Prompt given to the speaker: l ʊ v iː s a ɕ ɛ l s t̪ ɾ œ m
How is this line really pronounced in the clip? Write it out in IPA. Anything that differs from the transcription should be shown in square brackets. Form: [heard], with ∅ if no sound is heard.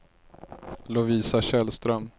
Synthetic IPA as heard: l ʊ v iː s a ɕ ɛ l s t̪ ɾ œ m

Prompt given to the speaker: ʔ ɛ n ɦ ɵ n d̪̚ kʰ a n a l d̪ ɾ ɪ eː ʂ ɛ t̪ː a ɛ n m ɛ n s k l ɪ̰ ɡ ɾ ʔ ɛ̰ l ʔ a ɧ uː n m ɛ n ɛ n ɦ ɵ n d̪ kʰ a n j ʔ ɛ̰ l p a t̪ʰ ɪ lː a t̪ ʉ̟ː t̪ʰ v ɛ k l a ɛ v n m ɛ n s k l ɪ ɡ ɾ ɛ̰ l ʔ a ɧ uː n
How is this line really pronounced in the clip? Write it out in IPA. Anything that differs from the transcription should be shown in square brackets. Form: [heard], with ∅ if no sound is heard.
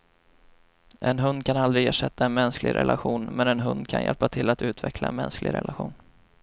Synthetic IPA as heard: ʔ ɛ n ɦ ɵ n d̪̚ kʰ a n a l d̪ ɾ ɪ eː ʂ ɛ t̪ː a ɛ n m ɛ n s k l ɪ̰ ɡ ɾ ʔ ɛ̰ l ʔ a ɧ uː n m ɛ n ɛ n ɦ ɵ n d̪ kʰ a n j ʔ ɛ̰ l p a t̪ʰ ɪ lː a t̪ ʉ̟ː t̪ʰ v ɛ k l a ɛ [∅] n m ɛ n s k l ɪ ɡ ɾ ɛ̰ l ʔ a ɧ uː n

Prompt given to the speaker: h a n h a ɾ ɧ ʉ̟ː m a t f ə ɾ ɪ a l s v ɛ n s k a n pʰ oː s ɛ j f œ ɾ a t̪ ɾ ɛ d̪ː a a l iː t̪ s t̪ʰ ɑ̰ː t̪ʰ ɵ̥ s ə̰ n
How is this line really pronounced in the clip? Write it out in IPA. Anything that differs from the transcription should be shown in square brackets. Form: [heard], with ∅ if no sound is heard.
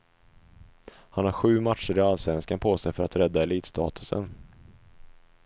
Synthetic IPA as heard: h a n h a ɾ ɧ ʉ̟ː m a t [ʂ] ə ɾ ɪ a l s v ɛ n s k a n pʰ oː s ɛ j f œ ɾ a t̪ ɾ ɛ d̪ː a [ɛ] l iː t̪ s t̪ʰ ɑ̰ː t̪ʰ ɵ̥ s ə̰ n

